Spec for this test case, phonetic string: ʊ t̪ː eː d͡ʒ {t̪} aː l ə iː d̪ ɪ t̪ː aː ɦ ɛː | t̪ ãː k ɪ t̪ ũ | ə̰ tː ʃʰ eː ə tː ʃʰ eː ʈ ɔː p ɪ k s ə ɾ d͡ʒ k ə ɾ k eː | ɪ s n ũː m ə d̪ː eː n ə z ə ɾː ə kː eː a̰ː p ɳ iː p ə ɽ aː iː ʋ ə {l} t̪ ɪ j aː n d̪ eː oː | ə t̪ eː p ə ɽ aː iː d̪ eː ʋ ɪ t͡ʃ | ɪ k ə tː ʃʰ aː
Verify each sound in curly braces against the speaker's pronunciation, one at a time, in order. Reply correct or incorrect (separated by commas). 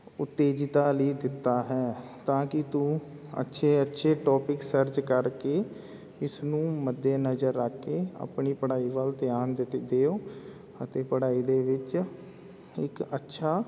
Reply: correct, correct